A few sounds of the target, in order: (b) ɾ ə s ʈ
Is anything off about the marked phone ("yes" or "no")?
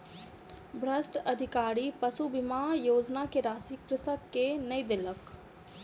no